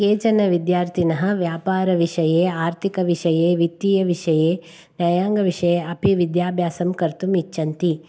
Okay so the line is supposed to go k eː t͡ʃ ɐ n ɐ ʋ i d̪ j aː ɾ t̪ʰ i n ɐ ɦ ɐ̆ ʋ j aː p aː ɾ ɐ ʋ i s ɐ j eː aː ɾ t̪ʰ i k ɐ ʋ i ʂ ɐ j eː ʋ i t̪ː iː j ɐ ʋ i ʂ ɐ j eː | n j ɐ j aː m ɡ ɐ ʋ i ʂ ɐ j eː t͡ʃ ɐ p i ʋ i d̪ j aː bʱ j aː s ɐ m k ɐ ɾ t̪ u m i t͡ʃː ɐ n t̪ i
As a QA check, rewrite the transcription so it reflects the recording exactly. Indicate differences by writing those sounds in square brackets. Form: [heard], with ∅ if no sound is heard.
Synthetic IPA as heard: k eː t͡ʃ ɐ n ɐ ʋ i d̪ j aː ɾ t̪ʰ i n ɐ ɦ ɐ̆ ʋ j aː p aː ɾ ɐ ʋ i [ʂ] ɐ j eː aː ɾ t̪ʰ i k ɐ ʋ i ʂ ɐ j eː ʋ i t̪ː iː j ɐ ʋ i ʂ ɐ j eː | n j ɐ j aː [ŋ] ɡ ɐ ʋ i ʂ ɐ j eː [∅] ɐ p i ʋ i d̪ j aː bʱ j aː s ɐ m k ɐ ɾ t̪ u m i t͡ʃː ɐ n t̪ i